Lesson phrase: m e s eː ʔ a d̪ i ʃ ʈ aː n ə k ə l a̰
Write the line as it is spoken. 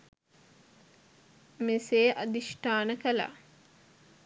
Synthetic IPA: m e s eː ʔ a d̪ i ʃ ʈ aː n ə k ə l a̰